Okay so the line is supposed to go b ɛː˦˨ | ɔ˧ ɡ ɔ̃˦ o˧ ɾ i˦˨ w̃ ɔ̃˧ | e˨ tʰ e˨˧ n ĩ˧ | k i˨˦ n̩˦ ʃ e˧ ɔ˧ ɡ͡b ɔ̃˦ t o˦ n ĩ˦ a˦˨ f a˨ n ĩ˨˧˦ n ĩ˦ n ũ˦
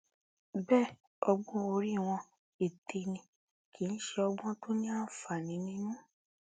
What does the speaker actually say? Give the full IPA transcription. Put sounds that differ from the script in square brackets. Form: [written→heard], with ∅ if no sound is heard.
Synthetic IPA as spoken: b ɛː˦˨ | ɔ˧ [ɡ→ɡ͡b] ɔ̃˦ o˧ ɾ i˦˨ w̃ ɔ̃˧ | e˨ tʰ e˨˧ n ĩ˧ | k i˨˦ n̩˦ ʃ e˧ ɔ˧ ɡ͡b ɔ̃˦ t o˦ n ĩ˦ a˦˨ f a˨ n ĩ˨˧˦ n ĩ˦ n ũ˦